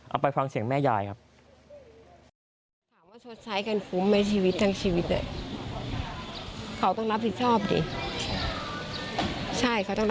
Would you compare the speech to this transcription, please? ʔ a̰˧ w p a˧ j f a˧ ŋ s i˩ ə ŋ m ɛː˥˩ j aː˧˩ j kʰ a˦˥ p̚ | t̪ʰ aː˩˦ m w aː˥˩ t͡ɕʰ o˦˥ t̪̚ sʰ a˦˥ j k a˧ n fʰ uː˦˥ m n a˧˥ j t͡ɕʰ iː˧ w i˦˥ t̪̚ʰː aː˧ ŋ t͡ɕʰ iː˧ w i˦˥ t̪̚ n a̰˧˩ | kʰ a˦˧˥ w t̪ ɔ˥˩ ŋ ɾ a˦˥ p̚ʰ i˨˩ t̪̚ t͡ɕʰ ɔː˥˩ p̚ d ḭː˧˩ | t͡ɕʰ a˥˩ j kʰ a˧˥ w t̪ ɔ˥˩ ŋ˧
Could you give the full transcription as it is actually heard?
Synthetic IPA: ʔ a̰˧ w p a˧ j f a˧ ŋ s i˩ ə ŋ m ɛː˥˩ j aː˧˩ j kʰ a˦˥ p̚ | t̪ʰ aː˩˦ m w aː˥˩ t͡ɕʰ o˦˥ t̪̚ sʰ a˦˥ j k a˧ n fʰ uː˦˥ m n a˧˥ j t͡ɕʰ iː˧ w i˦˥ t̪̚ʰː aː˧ ŋ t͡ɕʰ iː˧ w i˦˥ t̪̚ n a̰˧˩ | kʰ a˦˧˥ w t̪ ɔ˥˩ ŋ ɾ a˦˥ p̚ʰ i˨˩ t̪̚ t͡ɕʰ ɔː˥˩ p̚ d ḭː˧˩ | t͡ɕʰ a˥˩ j kʰ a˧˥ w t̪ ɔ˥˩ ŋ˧

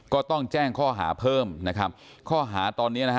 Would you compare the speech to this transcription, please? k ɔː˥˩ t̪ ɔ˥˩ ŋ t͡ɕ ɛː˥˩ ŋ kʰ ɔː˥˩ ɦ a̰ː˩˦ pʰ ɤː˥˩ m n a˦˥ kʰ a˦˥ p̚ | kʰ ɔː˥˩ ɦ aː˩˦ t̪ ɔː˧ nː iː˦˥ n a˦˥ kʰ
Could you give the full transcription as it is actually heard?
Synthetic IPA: k ɔː˥˩ t̪ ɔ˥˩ ŋ t͡ɕ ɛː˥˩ ŋ kʰ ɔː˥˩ ɦ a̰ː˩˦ pʰ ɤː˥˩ m n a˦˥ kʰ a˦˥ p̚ | kʰ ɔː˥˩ ɦ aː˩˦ t̪ ɔː˧ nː i˦˥ n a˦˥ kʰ

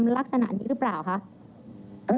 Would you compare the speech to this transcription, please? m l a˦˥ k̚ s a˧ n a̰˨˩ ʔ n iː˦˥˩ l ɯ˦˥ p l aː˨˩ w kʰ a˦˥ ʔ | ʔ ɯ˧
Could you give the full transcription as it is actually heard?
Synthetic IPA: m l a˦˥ k̚ s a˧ n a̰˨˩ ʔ n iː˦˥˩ ɾ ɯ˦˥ p l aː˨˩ w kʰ a˦˥ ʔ | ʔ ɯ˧

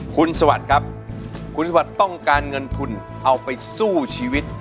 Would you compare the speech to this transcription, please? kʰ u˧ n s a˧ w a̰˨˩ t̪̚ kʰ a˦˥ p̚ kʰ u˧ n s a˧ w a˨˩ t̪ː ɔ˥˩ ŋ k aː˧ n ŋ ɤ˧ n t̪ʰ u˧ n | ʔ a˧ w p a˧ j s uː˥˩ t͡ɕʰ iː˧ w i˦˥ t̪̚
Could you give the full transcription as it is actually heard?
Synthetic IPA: kʰ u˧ n s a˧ w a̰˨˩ t̪̚ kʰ a˦˥ p̚ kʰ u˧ n s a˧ w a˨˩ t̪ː ɔ˥˩ ŋ k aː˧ n ŋ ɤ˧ n t̪ʰ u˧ n | ʔ a˧ w p a˧ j s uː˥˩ t͡ɕʰ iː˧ w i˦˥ t̪̚

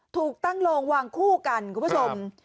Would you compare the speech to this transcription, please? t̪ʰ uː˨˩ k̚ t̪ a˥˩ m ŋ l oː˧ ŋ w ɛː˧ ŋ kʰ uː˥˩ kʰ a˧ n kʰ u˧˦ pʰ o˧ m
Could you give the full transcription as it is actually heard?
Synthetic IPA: t̪ʰ uː˨˩ k̚ t̪ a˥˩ ŋ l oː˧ ŋ w aː˧ ŋ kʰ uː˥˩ k a˧ n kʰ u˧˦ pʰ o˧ m

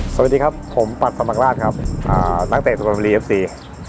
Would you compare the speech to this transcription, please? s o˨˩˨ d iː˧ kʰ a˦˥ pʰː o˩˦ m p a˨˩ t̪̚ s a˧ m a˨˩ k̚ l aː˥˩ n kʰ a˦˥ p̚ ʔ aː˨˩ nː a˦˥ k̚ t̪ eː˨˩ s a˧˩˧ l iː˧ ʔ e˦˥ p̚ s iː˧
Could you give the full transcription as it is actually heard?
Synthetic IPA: s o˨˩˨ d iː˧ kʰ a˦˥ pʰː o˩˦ m p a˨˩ t̪̚ s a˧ m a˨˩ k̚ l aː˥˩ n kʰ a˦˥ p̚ ʔ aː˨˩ n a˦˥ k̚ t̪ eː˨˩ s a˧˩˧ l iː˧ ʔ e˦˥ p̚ s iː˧

